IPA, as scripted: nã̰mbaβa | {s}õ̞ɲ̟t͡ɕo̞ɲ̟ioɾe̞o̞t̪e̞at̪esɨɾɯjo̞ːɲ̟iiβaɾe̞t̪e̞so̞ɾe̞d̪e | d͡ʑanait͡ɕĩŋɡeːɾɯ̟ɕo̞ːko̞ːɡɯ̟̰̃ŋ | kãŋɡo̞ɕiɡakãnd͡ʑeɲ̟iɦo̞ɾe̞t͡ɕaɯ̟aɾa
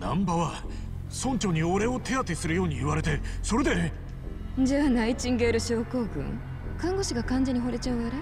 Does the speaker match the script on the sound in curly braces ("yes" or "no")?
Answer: yes